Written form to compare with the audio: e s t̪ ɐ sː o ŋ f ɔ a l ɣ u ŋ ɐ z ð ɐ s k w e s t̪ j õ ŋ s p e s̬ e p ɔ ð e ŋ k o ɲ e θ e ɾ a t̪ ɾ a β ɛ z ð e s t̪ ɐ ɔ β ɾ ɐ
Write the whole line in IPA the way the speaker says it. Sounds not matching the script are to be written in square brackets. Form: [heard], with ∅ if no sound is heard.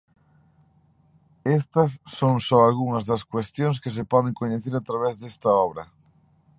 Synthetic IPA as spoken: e s t̪ ɐ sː o ŋ [s] ɔ a l ɣ u ŋ ɐ z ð ɐ s k w e s t̪ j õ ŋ s [k] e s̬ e p ɔ ð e ŋ k o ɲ e θ e ɾ a t̪ ɾ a β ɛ z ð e s t̪ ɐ ɔ β ɾ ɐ